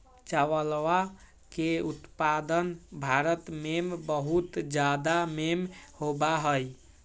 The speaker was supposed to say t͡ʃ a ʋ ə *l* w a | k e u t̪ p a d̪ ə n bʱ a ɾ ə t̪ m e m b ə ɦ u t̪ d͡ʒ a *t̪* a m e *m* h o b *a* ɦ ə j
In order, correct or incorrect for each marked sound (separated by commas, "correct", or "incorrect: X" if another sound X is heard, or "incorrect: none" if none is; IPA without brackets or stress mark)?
correct, incorrect: d̪, correct, correct